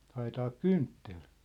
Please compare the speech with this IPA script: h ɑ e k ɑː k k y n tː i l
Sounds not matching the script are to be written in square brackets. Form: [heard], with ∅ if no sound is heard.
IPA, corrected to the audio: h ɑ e [t] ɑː k k y n tː [e] l